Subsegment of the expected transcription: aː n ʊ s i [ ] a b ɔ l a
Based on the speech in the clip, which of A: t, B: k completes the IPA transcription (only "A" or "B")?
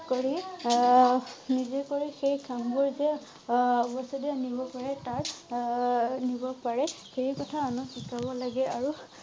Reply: B